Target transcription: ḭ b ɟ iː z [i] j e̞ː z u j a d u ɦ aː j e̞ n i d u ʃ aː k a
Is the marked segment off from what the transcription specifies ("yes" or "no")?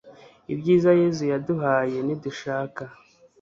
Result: yes